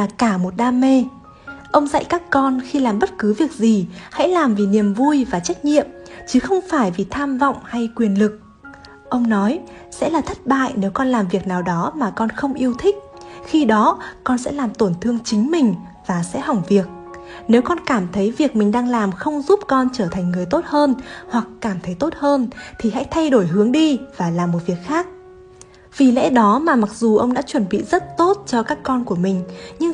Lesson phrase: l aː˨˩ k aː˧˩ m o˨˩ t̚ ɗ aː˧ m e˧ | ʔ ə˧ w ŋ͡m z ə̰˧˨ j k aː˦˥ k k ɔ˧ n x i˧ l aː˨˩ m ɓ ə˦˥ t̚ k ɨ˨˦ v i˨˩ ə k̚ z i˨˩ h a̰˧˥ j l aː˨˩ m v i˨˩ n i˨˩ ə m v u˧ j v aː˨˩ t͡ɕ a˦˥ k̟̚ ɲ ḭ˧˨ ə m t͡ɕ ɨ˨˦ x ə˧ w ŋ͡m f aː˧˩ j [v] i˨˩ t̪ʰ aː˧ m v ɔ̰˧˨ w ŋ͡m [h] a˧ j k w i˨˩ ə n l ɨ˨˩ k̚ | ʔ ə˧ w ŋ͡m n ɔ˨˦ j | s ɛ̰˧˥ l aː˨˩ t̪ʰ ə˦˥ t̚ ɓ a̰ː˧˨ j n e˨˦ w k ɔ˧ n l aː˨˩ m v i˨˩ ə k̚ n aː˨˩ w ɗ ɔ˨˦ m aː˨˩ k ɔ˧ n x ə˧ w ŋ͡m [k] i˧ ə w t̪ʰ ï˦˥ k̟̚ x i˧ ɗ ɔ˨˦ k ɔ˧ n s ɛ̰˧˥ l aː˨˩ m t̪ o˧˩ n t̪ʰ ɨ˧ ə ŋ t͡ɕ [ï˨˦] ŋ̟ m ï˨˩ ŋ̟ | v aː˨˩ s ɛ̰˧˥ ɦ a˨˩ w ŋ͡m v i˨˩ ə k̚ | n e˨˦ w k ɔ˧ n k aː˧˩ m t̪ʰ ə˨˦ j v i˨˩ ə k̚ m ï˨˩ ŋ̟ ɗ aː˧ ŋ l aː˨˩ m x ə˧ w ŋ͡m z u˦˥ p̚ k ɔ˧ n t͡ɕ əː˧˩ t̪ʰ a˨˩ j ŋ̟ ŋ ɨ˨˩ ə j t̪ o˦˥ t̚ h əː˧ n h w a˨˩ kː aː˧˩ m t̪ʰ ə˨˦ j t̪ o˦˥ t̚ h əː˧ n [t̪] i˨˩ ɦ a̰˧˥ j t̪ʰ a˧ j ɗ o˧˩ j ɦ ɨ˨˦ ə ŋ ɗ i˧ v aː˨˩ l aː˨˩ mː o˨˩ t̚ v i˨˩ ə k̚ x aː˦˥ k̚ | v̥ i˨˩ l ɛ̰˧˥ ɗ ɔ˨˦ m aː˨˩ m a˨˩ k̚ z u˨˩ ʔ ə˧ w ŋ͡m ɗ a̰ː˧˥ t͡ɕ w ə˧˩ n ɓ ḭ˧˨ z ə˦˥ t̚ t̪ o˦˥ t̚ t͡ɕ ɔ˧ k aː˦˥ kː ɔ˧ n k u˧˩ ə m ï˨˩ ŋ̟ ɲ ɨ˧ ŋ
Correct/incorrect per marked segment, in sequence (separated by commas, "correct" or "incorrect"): correct, correct, incorrect, correct, incorrect